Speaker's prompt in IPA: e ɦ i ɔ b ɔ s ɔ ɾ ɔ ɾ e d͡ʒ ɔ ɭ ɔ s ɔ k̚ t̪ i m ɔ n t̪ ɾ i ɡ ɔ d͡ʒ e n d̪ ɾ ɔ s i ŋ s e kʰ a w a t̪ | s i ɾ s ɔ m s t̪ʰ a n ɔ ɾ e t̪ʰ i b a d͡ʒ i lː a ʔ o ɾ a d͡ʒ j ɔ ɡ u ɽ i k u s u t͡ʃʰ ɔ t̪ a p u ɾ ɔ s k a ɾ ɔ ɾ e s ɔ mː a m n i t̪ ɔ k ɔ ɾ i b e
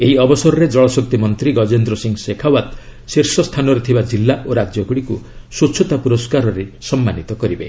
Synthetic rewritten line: e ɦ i ɔ b ɔ s ɔ ɾ ɔ ɾ e d͡ʒ ɔ ɭ ɔ s ɔ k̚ t̪ i m ɔ n t̪ ɾ i ɡ ɔ d͡ʒ e n d̪ ɾ ɔ s i ŋ s e kʰ a w a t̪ | s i ɾ s ɔ s t̪ʰ a n ɔ ɾ e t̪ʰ i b a d͡ʒ i lː a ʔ o ɾ a d͡ʒ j ɔ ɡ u ɽ i k u s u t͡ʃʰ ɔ t̪ a p u ɾ ɔ s k a ɾ ɔ ɾ e s ɔ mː a n i t̪ ɔ k ɔ ɾ i b e

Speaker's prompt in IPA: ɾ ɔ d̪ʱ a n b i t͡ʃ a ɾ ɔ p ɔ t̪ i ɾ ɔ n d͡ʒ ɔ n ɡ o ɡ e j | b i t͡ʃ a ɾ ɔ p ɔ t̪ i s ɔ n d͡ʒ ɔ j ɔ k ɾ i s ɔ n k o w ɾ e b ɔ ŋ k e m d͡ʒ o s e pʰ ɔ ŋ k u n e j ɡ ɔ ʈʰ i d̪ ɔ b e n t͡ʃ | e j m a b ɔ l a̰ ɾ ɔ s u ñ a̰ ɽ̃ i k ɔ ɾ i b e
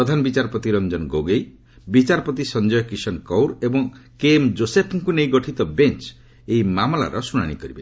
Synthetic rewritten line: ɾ ɔ d̪ʱ a n b i t͡ʃ a ɾ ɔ p ɔ t̪ i ɾ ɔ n d͡ʒ ɔ n ɡ o ɡ e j | b i t͡ʃ a ɾ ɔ p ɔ t̪ i s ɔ n d͡ʒ ɔ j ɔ k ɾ i s ɔ n k ɔ w ɾ e b ɔ ŋ k e m d͡ʒ o s e pʰ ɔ ŋ k u n e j ɡ ɔ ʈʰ i t̪ ɔ b e n t͡ʃ | e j m a m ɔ l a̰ ɾ ɔ s u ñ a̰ ɽ̃ i k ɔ ɾ i b e

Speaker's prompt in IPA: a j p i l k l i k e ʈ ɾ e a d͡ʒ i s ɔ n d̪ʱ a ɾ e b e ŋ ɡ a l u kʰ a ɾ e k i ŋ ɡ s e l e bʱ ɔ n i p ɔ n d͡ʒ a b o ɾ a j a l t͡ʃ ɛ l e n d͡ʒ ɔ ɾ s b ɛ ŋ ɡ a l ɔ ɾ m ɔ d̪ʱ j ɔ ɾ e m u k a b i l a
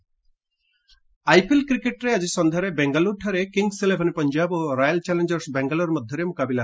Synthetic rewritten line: a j p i l k ɾ i k e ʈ ɾ e a d͡ʒ i s ɔ n d̪ʱ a ɾ e b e ŋ ɡ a l u ʈʰ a ɾ e k i ŋ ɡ s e l e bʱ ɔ n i p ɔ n d͡ʒ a b o ɾ a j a l t͡ʃ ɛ l e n d͡ʒ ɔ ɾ s b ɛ ŋ ɡ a l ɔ ɾ m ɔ d̪ʱ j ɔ ɾ e m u k a b i l a

